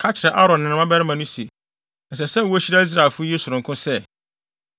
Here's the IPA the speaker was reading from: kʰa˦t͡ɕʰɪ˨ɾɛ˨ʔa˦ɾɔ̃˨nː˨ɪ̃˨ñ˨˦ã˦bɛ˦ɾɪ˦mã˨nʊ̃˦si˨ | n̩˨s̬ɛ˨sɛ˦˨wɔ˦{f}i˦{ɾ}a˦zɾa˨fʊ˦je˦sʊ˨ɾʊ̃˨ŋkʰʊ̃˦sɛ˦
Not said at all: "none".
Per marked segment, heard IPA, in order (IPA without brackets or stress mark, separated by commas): ɕ, ɾ